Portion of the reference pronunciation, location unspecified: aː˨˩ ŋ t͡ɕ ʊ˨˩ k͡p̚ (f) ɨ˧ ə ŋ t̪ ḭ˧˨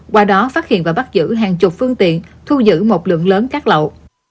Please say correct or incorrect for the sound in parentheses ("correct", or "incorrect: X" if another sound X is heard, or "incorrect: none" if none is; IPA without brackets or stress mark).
correct